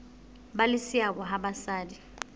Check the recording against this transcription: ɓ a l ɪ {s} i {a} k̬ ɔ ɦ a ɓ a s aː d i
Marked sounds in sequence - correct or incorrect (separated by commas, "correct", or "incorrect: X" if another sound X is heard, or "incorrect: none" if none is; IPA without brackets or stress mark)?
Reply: correct, correct